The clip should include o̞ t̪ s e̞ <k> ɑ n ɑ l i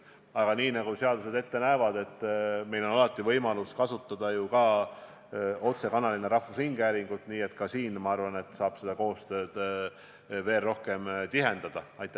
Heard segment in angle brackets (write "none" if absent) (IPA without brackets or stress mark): k